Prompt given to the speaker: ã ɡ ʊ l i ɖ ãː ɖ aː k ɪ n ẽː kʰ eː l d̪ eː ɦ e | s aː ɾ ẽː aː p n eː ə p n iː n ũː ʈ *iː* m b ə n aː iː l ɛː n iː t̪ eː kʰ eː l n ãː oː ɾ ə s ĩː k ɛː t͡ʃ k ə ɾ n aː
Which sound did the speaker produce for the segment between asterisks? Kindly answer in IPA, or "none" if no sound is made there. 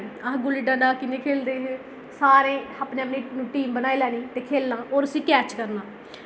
iː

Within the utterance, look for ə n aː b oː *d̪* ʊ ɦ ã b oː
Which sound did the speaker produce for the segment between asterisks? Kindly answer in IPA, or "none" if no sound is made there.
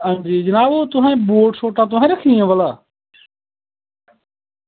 t̪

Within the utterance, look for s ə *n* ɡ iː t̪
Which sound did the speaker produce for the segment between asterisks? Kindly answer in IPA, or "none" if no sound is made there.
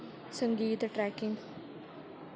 ŋ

